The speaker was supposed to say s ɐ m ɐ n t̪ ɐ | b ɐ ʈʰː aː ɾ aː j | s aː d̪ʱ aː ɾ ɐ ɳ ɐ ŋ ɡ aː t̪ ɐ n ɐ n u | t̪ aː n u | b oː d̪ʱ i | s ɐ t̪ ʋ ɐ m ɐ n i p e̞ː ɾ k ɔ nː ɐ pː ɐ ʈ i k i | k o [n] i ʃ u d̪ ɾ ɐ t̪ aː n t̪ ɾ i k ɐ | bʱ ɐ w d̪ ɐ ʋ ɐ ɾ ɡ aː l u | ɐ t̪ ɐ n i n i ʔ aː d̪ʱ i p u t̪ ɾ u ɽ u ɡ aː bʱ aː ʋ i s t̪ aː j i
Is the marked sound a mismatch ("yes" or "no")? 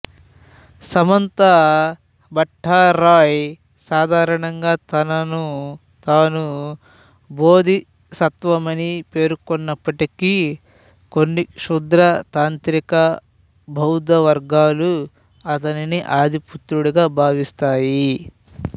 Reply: yes